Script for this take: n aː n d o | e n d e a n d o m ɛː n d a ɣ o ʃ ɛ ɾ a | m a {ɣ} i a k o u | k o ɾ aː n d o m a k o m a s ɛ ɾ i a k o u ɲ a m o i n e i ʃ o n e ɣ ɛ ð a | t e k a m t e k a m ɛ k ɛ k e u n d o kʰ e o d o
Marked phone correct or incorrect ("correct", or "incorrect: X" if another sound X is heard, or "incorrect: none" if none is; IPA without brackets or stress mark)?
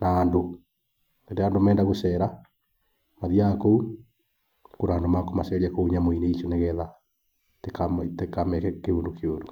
incorrect: ð